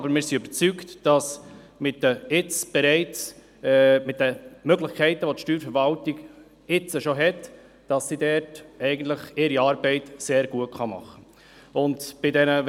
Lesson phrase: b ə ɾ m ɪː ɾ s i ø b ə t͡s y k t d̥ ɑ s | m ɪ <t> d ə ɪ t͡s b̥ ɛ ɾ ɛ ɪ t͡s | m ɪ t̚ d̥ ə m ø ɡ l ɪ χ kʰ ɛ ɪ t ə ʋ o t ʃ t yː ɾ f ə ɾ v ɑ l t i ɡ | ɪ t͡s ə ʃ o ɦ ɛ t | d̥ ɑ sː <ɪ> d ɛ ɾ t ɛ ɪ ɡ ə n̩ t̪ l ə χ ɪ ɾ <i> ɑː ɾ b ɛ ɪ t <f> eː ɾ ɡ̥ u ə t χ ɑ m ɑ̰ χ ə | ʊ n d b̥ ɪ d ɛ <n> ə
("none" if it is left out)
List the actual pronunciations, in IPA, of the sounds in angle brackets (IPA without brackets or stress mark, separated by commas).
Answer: t, i, i, s, n